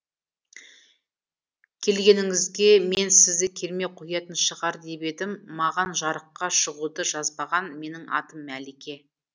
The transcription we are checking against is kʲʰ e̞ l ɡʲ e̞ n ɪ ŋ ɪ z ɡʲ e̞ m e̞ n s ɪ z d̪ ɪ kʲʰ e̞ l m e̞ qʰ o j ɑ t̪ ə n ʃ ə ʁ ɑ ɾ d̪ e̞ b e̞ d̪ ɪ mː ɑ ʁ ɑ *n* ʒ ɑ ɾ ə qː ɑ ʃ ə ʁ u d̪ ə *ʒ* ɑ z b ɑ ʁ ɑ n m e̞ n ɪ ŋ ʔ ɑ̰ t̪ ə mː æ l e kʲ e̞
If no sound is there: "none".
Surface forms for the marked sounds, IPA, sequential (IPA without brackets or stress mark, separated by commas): n, ʒ